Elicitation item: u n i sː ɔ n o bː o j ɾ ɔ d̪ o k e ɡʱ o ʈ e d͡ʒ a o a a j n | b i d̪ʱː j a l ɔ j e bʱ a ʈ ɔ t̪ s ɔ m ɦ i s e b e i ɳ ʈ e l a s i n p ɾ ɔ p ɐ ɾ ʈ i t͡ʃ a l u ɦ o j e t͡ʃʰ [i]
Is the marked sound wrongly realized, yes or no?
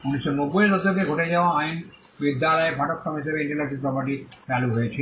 no